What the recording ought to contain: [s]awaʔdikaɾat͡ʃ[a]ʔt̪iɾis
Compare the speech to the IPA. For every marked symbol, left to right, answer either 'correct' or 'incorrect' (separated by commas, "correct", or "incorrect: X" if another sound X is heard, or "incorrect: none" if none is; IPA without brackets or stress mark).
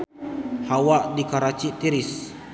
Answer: incorrect: h, incorrect: i